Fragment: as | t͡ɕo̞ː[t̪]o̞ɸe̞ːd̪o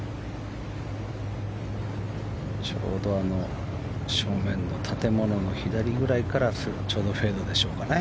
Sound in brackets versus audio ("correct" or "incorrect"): incorrect